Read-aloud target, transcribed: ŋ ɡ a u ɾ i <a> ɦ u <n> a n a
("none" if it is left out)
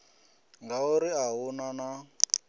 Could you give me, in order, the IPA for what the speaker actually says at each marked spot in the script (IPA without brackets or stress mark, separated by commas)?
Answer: a, n